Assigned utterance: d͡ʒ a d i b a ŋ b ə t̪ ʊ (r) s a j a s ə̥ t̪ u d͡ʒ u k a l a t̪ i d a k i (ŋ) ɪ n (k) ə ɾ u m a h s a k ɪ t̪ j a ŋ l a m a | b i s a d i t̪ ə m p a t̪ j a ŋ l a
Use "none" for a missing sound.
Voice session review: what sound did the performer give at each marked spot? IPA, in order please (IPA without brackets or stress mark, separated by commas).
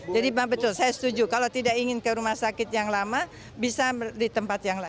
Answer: l, ŋ, k